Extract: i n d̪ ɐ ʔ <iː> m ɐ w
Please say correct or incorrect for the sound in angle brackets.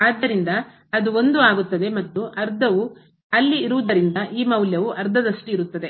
correct